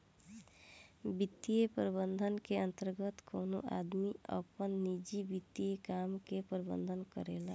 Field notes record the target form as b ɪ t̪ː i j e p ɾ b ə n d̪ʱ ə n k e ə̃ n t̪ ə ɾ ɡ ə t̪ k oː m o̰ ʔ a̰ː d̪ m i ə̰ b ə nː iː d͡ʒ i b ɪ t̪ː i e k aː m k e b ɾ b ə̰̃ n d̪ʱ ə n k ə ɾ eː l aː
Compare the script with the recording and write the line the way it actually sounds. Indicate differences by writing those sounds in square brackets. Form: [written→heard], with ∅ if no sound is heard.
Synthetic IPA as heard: b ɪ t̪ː i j e p ɾ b ə n d̪ʱ ə n k e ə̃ n t̪ ə ɾ ɡ ə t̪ k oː [m→n] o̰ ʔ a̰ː d̪ m i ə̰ [b→p] ə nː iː d͡ʒ i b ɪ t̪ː i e k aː m k e [b→p] ɾ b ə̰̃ n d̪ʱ ə n k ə ɾ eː l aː